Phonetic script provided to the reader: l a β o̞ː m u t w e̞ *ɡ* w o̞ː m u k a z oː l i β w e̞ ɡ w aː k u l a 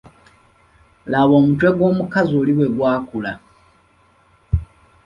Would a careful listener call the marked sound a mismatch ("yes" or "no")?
no